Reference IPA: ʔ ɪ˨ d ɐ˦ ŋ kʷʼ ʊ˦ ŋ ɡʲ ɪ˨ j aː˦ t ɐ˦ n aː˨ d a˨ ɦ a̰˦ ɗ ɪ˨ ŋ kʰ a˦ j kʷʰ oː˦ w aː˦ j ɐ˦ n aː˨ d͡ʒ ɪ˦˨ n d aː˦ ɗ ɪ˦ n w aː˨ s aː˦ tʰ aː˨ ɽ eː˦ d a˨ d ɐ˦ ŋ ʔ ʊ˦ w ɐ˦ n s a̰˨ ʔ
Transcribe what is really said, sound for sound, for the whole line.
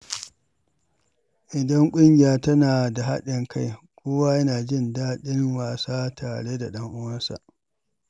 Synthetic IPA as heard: ʔ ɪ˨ d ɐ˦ ŋ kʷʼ ʊ˦ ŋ ɡʲ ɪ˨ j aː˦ t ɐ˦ n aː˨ d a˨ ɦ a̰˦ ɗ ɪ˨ ŋ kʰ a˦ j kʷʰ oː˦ w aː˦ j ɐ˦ n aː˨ d͡ʒ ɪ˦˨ n d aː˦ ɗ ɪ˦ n w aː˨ s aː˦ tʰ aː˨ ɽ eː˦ d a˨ ɗ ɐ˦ ŋ ʔ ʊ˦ w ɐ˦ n s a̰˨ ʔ